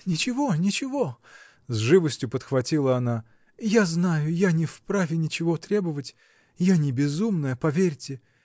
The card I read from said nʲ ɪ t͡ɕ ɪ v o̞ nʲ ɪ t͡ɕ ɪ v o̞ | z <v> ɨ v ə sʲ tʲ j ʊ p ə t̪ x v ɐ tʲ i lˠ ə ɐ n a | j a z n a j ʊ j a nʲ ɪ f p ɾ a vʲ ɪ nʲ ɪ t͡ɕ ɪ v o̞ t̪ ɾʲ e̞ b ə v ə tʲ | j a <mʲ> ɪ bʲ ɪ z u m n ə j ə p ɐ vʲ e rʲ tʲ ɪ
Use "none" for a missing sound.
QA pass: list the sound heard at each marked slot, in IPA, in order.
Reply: ʐ, nʲ

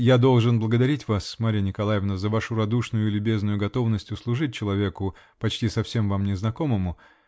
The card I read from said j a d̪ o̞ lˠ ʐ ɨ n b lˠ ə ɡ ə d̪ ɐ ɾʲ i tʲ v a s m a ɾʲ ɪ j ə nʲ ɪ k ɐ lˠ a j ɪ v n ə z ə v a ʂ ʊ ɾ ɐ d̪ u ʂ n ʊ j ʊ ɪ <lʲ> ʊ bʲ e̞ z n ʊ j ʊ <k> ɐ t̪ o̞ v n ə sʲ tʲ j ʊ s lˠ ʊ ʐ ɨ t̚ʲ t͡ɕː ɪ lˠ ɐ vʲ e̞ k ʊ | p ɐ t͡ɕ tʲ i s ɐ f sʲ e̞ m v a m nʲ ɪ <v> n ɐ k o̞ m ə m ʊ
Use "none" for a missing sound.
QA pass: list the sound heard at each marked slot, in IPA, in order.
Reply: lʲ, ɡ, z

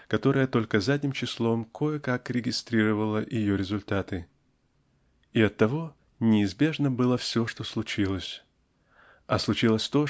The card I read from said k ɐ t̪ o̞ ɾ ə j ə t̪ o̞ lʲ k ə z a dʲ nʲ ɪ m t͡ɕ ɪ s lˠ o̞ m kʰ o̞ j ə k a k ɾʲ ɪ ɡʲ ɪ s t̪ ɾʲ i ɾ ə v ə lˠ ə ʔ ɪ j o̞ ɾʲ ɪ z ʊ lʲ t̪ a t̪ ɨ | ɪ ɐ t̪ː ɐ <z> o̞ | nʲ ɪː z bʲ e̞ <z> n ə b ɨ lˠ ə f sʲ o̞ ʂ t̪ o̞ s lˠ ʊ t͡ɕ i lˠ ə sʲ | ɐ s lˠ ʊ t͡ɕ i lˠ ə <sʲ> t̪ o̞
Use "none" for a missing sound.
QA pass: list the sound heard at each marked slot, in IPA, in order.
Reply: v, ʐ, sʲ

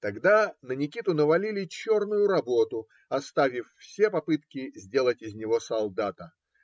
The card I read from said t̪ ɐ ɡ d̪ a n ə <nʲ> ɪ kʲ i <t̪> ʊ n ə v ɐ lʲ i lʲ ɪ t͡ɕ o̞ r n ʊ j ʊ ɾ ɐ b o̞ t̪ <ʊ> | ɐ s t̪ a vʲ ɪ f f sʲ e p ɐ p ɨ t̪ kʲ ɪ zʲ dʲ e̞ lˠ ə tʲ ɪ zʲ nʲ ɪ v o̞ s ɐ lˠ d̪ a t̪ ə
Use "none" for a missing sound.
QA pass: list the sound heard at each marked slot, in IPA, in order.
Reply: nʲ, t̪, ʊ

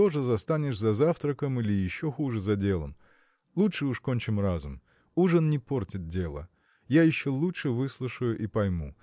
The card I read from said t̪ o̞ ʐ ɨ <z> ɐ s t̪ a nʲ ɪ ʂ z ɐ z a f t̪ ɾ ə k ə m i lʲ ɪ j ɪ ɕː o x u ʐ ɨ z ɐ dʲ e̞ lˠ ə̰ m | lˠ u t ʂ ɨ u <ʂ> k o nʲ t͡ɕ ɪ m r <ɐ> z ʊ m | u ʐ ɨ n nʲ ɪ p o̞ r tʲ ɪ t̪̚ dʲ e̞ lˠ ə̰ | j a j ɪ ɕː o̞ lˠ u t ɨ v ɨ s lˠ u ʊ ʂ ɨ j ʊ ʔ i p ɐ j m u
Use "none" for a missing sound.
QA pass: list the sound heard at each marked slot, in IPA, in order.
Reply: z, ʂ, a

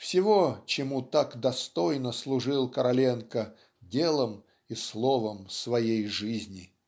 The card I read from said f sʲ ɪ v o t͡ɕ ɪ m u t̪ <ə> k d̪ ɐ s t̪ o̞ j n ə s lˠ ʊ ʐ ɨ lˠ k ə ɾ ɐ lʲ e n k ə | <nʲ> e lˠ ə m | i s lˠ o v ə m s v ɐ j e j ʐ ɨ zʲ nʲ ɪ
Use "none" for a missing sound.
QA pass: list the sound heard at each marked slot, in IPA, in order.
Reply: a, dʲ

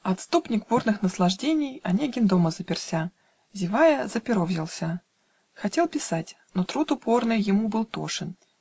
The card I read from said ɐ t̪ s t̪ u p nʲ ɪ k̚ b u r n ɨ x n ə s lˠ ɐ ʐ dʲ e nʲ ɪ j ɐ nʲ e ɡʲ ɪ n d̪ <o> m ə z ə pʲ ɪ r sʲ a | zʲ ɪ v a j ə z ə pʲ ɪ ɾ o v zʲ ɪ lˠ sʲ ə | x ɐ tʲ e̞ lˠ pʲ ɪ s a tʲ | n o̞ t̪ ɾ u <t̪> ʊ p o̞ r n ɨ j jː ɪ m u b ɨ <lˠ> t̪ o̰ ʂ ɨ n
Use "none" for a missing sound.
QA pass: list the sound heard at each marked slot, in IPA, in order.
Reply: o, t̪, lˠ

